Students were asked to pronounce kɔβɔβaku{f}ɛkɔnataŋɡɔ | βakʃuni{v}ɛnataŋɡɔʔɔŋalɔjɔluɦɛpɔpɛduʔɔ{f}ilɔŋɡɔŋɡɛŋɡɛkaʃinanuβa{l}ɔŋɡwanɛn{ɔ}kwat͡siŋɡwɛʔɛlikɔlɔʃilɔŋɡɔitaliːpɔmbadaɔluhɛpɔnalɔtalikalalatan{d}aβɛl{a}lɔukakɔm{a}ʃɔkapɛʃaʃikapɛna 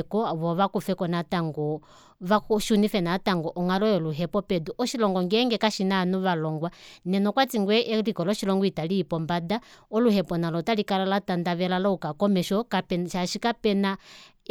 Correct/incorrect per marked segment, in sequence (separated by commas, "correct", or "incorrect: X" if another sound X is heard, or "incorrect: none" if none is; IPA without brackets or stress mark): correct, incorrect: f, incorrect: ʃ, correct, correct, correct, correct, incorrect: ɛ